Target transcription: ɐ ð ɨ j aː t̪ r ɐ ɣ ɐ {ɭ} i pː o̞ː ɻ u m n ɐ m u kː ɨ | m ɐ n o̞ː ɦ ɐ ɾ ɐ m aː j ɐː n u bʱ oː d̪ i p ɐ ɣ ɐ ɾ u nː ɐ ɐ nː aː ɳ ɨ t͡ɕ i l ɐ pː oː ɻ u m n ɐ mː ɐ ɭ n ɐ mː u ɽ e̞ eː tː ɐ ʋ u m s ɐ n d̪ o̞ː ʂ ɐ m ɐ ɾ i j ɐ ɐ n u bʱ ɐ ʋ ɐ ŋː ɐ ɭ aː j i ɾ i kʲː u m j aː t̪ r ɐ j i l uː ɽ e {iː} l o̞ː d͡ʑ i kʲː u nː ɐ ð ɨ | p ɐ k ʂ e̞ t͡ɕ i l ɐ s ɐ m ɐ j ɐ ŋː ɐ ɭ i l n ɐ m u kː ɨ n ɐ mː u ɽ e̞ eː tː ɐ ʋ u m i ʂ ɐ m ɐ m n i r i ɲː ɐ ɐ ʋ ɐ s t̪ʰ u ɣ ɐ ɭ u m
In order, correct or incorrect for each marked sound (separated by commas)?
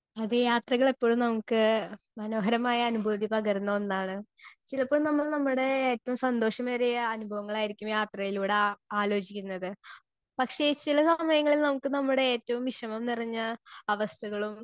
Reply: correct, incorrect